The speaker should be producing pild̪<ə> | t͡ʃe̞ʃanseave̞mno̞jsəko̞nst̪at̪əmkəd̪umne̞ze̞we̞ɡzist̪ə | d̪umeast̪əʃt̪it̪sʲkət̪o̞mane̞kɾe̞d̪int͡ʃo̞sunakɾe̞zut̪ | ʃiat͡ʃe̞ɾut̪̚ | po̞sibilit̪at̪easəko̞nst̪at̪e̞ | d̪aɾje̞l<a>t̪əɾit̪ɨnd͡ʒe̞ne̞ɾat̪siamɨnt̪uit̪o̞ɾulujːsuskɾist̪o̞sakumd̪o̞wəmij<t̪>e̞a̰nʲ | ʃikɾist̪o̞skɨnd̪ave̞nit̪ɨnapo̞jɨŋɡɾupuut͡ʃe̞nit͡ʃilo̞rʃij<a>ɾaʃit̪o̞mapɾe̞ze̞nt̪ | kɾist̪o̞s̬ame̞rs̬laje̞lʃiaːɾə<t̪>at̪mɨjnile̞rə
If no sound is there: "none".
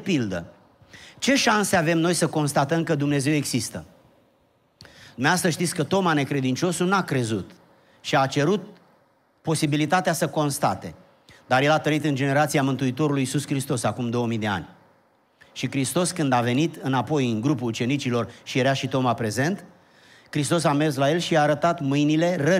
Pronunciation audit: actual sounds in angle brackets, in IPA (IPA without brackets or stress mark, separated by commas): ə, a, d̪, e, t̪